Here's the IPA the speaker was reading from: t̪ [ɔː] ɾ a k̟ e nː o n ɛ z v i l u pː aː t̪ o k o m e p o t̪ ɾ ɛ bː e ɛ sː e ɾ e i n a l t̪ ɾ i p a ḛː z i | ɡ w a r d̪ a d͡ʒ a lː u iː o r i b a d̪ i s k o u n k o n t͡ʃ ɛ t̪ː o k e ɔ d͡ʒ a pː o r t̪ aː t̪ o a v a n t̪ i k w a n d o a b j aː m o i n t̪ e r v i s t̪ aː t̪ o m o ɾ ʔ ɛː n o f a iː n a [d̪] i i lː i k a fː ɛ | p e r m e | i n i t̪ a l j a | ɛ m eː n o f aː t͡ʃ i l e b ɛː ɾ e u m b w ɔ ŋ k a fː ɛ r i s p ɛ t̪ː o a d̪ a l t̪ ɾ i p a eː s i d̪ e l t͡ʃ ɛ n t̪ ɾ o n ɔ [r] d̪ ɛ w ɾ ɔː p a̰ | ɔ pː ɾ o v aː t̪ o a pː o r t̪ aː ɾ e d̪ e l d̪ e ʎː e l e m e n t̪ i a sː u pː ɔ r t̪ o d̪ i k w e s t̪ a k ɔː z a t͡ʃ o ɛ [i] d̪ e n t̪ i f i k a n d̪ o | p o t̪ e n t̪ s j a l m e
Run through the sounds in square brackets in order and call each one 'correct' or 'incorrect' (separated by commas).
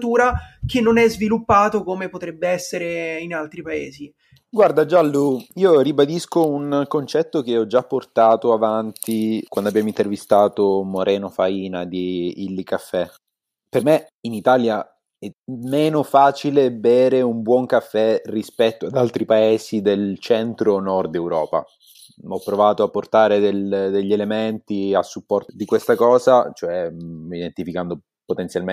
incorrect, correct, correct, correct